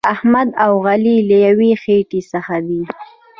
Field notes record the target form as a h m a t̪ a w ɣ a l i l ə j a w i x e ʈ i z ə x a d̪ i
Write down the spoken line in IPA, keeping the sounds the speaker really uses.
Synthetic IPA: a h m a d̪ a w ɣ a l i l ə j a w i x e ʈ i s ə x a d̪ i